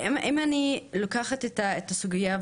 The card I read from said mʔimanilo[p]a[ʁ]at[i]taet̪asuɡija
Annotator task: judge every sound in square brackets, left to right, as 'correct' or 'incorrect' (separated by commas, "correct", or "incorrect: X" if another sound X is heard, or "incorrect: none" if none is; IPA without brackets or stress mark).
incorrect: k, incorrect: χ, incorrect: e